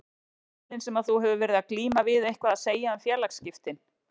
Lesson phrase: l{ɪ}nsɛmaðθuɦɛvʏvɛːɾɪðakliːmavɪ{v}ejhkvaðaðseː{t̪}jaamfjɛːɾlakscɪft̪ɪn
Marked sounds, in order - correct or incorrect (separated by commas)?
correct, incorrect, incorrect